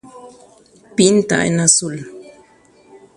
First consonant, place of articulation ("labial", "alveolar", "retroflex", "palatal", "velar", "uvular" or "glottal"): labial